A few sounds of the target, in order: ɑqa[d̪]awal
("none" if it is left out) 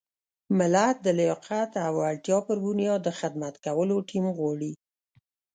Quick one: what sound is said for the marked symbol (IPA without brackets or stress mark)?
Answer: t̪